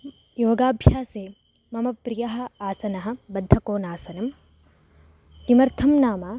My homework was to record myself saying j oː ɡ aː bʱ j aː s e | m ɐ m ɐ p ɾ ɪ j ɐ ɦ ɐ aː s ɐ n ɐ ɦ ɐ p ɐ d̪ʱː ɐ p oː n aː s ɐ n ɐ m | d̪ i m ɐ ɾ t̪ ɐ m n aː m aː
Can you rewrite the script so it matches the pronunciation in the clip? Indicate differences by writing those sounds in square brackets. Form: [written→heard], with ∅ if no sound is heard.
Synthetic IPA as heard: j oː ɡ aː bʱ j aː s e | m ɐ m ɐ p ɾ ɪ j ɐ ɦ ɐ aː s ɐ n ɐ ɦ ɐ [p→b] ɐ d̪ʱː ɐ [p→k] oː n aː s ɐ n ɐ m | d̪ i m ɐ ɾ [t̪→t̪ʰ] ɐ m n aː m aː